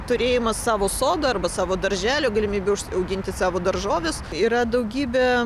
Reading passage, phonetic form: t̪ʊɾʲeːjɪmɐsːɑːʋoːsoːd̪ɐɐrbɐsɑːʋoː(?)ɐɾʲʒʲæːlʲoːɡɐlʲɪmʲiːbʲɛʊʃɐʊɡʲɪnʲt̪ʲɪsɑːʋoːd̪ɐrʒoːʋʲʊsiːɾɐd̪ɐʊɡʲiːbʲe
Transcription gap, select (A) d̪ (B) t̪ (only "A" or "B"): A